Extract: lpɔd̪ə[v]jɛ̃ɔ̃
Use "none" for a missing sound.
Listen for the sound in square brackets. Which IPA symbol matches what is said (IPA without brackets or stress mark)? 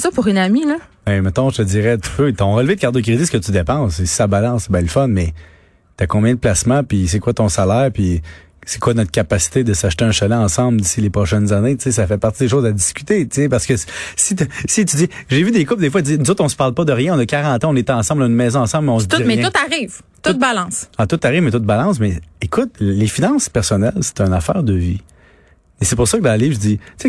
ʁ